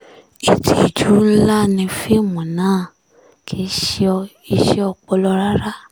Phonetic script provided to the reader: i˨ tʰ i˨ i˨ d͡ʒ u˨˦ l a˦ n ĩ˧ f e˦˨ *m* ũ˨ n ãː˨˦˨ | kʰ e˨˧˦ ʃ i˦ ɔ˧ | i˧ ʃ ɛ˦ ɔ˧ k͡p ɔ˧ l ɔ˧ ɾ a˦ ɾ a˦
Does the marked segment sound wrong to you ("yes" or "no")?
no